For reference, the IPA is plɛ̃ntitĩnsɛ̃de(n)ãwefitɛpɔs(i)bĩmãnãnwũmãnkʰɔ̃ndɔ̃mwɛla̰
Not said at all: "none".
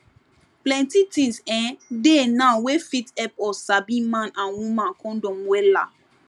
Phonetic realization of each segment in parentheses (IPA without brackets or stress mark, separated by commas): n, a